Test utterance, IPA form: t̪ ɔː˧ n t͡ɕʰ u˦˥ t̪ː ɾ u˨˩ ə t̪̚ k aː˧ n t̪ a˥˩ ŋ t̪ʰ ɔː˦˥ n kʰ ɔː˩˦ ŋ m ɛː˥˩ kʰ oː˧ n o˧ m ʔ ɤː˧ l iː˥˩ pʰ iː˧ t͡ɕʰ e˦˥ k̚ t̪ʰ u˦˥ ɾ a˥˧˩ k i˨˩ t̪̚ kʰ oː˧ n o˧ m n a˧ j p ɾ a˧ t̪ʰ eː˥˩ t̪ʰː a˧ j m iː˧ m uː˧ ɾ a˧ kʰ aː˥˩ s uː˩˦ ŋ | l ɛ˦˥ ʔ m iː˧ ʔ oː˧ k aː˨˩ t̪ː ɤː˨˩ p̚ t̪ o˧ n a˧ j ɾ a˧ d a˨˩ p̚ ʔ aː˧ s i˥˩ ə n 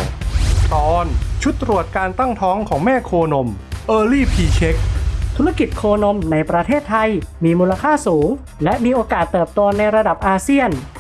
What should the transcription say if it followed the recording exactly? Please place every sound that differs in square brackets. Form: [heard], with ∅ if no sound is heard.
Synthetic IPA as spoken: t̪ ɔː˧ n t͡ɕʰ u˦˥ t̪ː ɾ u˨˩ ə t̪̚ k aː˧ n t̪ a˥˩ ŋ t̪ʰ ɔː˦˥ [ŋ] kʰ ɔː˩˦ ŋ m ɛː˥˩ kʰ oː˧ n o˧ m ʔ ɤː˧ l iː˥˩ pʰ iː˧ t͡ɕʰ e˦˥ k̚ t̪ʰ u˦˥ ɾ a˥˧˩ k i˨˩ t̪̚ kʰ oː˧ n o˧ m n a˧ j p ɾ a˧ t̪ʰ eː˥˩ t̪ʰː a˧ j m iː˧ m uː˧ [l] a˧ kʰ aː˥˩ s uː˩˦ ŋ | l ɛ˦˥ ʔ m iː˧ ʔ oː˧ k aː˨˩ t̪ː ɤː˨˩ p̚ t̪ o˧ n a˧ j ɾ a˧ d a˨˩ p̚ ʔ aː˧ s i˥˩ ə n